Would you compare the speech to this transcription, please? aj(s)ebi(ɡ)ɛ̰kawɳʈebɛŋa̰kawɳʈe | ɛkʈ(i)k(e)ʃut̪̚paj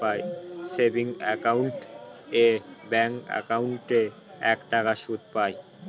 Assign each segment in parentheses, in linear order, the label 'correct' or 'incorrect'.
correct, incorrect: ŋ, incorrect: a, incorrect: a

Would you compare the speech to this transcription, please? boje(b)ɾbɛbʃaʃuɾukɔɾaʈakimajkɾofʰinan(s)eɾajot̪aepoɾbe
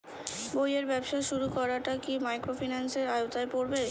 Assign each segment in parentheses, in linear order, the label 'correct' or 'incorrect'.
incorrect: none, correct

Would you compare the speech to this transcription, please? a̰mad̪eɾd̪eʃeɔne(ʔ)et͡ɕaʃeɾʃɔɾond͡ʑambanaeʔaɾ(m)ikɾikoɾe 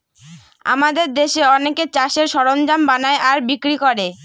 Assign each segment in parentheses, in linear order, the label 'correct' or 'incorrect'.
incorrect: k, incorrect: b

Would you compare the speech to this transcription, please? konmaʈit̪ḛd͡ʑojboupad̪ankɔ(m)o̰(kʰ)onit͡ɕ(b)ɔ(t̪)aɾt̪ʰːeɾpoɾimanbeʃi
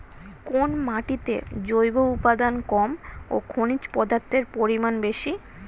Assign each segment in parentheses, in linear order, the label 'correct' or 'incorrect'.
correct, correct, incorrect: p, incorrect: d̪

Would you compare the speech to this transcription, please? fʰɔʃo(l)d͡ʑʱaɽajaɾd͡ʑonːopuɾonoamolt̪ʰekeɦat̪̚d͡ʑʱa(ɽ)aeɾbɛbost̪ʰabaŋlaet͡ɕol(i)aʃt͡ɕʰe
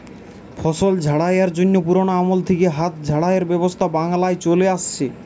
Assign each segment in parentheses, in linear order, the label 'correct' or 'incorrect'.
correct, correct, incorrect: e

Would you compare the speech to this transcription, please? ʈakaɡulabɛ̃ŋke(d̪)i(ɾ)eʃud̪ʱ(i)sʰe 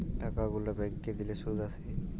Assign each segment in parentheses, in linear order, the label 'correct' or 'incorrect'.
correct, incorrect: l, incorrect: a

